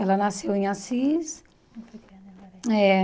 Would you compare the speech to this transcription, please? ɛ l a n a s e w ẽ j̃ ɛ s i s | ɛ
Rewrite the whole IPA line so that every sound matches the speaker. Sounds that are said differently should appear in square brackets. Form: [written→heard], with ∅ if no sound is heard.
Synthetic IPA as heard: ɛ l [a→ɐ] n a s e w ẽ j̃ [ɛ→a] s i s | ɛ

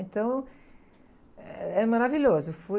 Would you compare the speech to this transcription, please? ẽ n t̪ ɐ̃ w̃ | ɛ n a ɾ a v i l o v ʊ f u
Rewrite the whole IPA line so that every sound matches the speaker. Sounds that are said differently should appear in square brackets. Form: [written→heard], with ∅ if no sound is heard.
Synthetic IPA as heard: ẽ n t̪ ɐ̃ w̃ | ɛ [n→m] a ɾ a v i [l→ʎ] o [v→z] ʊ f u

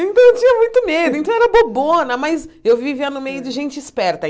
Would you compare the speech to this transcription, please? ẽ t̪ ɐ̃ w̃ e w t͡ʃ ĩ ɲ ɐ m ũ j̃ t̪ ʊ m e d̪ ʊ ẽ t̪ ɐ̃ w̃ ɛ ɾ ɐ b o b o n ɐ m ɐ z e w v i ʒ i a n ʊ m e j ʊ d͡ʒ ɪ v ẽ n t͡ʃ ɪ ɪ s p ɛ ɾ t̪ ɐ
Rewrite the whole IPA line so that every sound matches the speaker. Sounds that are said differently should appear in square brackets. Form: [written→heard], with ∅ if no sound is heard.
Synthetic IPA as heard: ẽ t̪ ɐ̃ w̃ e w t͡ʃ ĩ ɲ ɐ m ũ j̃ t̪ ʊ m e d̪ ʊ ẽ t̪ ɐ̃ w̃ ɛ ɾ ɐ b o b o n ɐ m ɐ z e w v i [ʒ→v] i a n ʊ m e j ʊ d͡ʒ ɪ [v→ʒ] ẽ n t͡ʃ ɪ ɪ s p ɛ ɾ t̪ ɐ

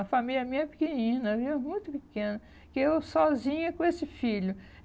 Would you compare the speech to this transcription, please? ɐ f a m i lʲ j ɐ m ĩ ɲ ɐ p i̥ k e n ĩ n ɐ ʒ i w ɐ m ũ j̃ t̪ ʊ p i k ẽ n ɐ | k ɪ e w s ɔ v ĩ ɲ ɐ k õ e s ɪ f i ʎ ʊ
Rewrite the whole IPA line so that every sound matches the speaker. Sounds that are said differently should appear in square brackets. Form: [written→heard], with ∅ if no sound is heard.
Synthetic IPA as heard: ɐ f a m i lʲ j ɐ m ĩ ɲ ɐ p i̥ k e n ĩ n ɐ [ʒ→v] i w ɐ m ũ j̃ t̪ ʊ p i k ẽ n ɐ | k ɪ e w s ɔ [v→z] ĩ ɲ ɐ k õ e s ɪ f i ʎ ʊ

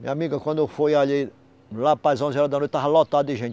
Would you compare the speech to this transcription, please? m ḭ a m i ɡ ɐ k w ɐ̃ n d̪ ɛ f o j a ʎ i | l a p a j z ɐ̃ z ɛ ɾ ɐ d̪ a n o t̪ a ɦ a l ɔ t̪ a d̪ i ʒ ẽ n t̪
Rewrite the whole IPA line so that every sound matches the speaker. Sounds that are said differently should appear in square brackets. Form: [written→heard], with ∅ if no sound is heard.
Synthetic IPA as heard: m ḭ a m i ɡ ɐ k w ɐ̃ n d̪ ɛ f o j a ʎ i | l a p a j z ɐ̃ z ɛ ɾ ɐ d̪ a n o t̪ a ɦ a l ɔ t̪ a d̪ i ʒ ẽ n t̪

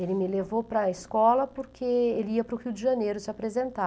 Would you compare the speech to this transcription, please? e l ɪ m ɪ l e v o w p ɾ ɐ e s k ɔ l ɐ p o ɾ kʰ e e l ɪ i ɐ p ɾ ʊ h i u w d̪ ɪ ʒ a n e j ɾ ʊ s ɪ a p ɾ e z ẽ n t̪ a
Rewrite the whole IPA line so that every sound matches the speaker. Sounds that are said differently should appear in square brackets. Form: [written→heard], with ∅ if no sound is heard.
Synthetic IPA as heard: e l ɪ m ɪ l e v o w p ɾ ɐ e s k ɔ l ɐ p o ɾ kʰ e e l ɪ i ɐ p ɾ ʊ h i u w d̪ ɪ ʒ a n e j ɾ ʊ s ɪ a p ɾ e z ẽ n t̪ a

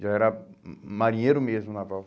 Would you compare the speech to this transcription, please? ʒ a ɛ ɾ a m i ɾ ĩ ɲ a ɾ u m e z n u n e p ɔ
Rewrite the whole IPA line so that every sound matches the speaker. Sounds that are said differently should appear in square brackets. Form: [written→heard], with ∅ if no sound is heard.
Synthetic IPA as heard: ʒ a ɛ ɾ a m [i→a] ɾ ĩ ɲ [a→e] ɾ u m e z [n→m] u n [e→a] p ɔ

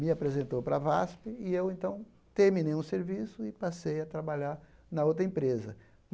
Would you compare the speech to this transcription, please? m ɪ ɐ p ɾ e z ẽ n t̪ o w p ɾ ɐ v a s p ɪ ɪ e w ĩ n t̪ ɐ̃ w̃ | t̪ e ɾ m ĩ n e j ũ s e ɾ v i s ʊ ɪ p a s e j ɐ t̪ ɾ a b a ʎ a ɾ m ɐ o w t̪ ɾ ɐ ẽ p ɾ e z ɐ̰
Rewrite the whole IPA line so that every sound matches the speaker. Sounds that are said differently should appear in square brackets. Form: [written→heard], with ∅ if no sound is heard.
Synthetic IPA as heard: m ɪ [ɐ→a] p ɾ e z ẽ n t̪ o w p ɾ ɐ v a s p ɪ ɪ e w [ĩ→ẽ] n t̪ ɐ̃ w̃ | t̪ e ɾ m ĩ n e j ũ s e ɾ v i s ʊ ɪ p a s e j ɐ t̪ ɾ a b a ʎ a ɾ [m→n] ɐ o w t̪ ɾ ɐ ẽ p ɾ e z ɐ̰

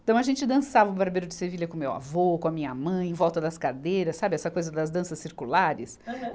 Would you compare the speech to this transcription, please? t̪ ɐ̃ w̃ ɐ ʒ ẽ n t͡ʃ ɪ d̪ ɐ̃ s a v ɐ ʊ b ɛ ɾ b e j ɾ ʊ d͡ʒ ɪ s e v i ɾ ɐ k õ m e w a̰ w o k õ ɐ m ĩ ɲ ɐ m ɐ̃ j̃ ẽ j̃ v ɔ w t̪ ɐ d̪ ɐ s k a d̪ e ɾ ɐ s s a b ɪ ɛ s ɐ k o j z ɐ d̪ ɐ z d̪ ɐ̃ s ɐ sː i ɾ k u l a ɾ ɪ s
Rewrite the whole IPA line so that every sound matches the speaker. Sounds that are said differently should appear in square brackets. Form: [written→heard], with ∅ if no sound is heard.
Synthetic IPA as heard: t̪ ɐ̃ w̃ ɐ ʒ ẽ n t͡ʃ ɪ d̪ ɐ̃ s a v ɐ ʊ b [ɛ→a] ɾ b e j ɾ ʊ d͡ʒ ɪ s e v i [ɾ→ʎ] ɐ k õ m e w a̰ [w→v] o k õ ɐ m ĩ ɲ ɐ m ɐ̃ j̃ ẽ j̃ v ɔ w t̪ ɐ d̪ ɐ s k a d̪ e ɾ ɐ s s a b ɪ ɛ s ɐ k o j z ɐ d̪ ɐ z d̪ ɐ̃ s ɐ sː i ɾ k u l a ɾ ɪ s

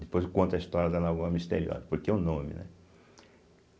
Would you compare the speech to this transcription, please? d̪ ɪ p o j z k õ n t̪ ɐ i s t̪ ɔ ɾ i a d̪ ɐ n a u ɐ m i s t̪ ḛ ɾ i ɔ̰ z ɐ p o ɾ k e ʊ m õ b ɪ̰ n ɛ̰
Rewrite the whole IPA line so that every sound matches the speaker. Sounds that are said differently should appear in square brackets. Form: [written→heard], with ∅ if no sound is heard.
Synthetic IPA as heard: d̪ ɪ p o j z k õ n t̪ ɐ i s t̪ ɔ ɾ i [a→ɐ] d̪ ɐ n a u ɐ m i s t̪ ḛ ɾ i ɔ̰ z ɐ p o ɾ k e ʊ [m→n] õ [b→m] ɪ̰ n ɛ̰

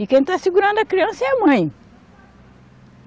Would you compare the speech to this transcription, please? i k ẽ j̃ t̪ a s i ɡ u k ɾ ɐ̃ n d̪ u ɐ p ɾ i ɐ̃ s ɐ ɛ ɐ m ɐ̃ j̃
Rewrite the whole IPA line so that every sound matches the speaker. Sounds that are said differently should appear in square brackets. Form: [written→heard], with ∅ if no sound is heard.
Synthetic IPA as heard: i k ẽ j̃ t̪ a s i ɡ u [k→∅] ɾ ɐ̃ n d̪ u ɐ [p→k] ɾ i ɐ̃ s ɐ ɛ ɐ m ɐ̃ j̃

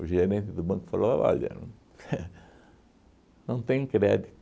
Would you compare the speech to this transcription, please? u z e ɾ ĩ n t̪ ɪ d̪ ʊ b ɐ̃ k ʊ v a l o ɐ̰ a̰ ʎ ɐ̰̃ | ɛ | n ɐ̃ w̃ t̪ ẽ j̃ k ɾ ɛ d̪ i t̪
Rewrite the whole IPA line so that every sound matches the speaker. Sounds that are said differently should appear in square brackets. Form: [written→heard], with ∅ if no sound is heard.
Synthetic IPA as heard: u [z→ʒ] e ɾ [ĩ→ẽ] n t̪ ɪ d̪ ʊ b ɐ̃ k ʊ [v→f] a l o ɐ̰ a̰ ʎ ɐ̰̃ | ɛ | n ɐ̃ w̃ t̪ ẽ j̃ k ɾ ɛ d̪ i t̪

